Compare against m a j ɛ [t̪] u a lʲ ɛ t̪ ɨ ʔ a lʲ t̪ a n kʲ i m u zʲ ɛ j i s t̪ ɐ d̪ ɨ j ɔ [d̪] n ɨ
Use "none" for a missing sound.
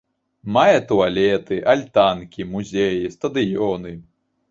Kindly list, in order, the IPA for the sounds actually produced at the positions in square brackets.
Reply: t̪, none

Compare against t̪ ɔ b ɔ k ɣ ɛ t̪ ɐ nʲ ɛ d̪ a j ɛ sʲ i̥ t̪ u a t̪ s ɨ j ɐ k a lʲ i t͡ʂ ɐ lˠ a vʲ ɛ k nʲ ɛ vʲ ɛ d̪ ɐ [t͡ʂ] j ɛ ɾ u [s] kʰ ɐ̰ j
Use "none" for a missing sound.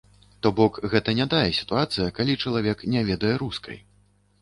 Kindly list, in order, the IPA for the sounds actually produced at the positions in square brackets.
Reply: none, s

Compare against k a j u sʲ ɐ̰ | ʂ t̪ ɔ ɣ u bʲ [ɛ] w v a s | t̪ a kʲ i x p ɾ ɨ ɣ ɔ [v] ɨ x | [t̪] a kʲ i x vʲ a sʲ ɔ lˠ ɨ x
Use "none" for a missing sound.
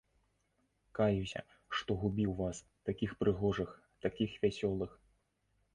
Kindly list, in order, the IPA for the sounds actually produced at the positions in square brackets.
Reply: i, ʐ, t̪

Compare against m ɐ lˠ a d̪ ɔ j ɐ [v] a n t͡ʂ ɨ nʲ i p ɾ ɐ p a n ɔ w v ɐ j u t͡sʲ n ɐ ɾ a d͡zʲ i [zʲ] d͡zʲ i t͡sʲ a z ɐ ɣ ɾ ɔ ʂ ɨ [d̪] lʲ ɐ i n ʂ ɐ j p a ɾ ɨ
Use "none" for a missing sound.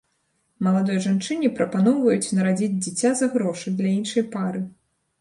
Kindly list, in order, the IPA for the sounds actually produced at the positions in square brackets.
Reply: ʐ, d͡zʲ, d̪

